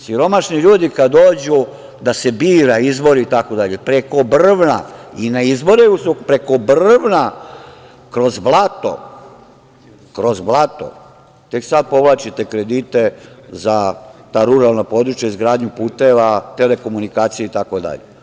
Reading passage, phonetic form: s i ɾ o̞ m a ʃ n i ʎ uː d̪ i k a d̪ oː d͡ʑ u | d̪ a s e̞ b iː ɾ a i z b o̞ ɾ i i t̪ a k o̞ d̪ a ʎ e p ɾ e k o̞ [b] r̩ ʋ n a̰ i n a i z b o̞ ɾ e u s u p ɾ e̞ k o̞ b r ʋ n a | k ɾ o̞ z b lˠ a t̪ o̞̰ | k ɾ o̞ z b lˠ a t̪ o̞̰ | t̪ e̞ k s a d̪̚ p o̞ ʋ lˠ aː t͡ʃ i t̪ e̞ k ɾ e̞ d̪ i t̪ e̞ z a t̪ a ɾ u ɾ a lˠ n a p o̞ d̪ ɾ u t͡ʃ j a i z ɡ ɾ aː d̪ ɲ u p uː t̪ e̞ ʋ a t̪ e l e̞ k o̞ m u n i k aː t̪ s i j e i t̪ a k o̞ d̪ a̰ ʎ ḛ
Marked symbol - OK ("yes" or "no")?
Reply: yes